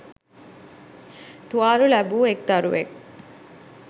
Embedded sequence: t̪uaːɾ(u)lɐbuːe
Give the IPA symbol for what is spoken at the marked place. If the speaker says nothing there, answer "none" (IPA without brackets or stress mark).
u